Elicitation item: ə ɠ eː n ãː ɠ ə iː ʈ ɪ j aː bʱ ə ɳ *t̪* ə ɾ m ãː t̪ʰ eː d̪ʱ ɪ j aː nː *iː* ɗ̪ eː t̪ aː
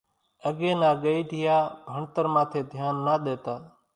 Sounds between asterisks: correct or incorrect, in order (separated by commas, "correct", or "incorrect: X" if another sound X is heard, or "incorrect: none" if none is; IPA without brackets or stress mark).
correct, incorrect: aː